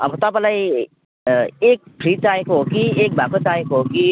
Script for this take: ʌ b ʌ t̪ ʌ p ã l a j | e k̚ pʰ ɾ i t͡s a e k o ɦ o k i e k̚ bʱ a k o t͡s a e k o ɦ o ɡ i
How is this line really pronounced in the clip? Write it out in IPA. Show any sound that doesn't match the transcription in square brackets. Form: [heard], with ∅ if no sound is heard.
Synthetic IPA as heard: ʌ b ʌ t̪ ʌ p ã l a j | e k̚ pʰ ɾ i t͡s a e k o ɦ o k i e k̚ bʱ a k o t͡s a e k o ɦ o [k] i